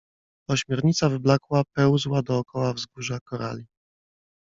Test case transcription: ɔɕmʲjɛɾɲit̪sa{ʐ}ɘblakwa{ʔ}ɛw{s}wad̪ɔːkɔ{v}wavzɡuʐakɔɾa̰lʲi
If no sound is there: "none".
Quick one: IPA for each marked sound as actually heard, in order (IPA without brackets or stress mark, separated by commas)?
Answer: v, p, z, none